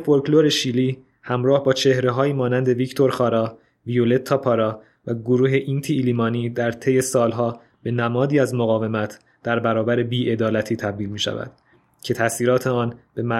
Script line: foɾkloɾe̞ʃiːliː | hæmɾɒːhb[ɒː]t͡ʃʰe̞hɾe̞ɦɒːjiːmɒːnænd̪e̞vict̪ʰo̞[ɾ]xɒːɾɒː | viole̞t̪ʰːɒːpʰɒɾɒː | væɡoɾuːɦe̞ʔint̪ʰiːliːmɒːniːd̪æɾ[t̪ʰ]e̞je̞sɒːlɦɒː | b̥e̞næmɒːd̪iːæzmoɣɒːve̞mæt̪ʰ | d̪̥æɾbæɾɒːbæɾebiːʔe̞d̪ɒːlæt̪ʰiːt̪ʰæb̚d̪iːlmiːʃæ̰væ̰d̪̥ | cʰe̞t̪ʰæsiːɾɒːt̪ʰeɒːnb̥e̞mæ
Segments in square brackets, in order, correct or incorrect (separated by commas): correct, correct, correct